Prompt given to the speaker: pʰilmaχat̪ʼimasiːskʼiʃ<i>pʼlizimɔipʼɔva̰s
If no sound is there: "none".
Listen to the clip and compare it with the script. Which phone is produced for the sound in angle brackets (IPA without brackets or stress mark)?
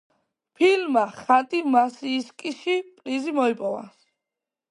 i